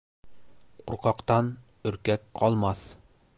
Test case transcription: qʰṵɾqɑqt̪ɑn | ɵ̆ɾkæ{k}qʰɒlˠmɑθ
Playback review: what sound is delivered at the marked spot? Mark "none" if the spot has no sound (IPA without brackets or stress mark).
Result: k